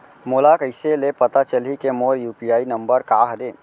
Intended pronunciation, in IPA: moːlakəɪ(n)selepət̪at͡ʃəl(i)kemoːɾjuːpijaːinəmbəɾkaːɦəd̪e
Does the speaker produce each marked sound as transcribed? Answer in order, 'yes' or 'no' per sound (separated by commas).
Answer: no, yes